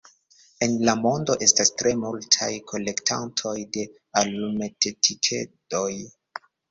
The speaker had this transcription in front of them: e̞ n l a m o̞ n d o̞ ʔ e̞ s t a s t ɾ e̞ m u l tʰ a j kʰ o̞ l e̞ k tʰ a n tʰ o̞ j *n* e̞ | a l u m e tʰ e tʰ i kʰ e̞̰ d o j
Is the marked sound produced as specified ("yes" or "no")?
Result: no